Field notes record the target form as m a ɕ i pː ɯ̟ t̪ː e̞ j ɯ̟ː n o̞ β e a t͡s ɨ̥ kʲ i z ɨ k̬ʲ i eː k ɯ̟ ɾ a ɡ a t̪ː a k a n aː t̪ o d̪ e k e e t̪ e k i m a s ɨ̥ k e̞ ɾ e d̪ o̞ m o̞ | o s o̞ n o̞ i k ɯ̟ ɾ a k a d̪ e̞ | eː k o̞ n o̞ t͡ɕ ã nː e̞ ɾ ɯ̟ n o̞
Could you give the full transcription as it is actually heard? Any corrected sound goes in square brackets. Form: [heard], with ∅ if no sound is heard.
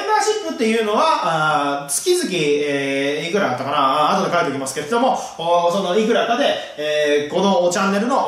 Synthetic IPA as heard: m a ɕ i pː ɯ̟ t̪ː e̞ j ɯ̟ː n o̞ β [a] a t͡s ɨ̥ kʲ i z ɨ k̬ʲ i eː k ɯ̟ ɾ a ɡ a t̪ː a k a n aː t̪ o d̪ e k [a] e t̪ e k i m a s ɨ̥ k e̞ ɾ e d̪ o̞ m o̞ | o s o̞ n o̞ i k ɯ̟ ɾ a k a d̪ e̞ | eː k o̞ n o̞ t͡ɕ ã nː e̞ ɾ ɯ̟ n o̞